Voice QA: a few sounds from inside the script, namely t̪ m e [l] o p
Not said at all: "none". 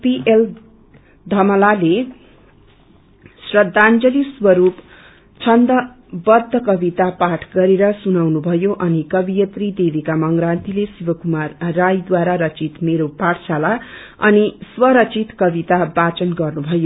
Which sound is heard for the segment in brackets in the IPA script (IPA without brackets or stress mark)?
ɾ